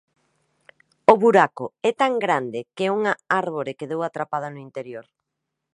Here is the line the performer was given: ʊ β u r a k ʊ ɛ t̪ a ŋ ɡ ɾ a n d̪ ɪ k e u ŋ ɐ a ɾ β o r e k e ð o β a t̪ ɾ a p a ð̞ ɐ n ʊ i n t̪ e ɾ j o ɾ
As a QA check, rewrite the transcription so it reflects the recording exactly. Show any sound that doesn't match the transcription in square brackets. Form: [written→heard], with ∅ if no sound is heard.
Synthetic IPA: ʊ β u [r→ɾ] a k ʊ ɛ t̪ a ŋ ɡ ɾ a n d̪ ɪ k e u ŋ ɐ a ɾ β o [r→ɾ] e k e ð o [β→w] a t̪ ɾ a p a ð̞ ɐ n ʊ i n t̪ e ɾ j o ɾ